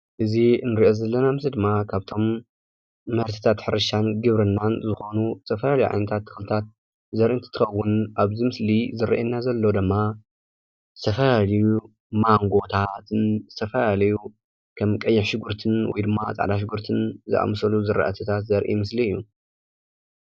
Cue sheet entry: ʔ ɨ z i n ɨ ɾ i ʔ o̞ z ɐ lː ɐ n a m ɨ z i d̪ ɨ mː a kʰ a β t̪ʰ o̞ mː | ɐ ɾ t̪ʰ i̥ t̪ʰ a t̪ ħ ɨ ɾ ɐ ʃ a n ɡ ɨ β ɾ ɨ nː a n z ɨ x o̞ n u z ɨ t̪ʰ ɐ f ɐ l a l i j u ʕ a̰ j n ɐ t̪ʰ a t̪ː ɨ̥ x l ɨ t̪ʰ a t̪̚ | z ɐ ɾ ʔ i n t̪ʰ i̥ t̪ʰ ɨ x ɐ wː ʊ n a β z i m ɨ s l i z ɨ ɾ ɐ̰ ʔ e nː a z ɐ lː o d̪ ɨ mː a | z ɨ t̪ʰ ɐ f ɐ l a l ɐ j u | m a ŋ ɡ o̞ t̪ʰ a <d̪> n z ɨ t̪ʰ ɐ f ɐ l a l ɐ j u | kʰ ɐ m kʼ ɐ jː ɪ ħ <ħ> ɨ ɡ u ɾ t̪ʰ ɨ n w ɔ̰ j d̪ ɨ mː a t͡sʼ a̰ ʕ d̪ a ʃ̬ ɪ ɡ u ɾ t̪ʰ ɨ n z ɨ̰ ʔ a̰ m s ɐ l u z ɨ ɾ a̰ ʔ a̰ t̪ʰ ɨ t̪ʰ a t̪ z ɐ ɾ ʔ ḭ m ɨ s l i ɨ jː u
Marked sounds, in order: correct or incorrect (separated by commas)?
incorrect, incorrect